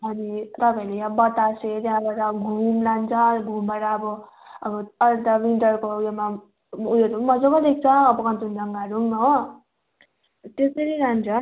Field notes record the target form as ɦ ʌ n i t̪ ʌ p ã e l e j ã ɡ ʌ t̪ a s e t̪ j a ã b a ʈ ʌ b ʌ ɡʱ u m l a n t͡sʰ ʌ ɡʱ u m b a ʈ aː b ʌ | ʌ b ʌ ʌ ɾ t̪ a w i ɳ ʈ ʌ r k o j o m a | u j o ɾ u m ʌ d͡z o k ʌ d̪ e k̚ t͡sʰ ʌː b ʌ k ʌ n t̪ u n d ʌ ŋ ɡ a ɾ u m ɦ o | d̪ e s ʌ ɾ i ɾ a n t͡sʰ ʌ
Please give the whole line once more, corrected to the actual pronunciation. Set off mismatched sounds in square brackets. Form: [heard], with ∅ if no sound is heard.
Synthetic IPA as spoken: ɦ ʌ n i t̪ ʌ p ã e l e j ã [b] ʌ t̪ a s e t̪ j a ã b a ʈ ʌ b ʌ ɡʱ u m l a n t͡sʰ ʌ ɡʱ u m b a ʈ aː b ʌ | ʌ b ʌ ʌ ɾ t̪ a w i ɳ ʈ ʌ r k o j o m a | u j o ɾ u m ʌ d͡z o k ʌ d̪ e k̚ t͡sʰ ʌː b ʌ k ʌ n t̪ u n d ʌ ŋ ɡ a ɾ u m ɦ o | [t̪] e s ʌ ɾ i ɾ a n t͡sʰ ʌ